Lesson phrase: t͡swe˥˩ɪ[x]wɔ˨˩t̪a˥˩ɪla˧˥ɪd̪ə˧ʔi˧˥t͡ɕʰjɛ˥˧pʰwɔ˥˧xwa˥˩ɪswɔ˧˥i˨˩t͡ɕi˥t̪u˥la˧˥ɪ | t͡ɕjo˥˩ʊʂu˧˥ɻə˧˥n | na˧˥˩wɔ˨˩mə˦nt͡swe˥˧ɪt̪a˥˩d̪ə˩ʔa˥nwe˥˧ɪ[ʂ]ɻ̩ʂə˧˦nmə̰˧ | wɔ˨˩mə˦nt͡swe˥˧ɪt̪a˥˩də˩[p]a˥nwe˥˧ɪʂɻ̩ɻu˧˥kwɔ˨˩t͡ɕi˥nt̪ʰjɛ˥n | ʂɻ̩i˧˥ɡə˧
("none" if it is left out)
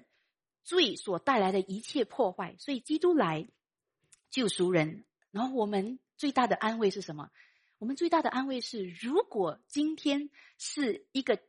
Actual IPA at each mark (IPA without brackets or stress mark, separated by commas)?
s, ʂ, ʔ